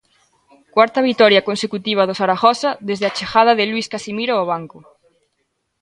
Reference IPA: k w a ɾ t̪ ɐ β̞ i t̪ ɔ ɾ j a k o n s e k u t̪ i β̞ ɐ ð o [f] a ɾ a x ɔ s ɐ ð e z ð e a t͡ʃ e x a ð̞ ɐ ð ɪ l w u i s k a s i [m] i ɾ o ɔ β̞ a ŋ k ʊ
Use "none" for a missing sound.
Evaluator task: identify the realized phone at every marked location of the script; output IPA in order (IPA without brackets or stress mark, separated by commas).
s, m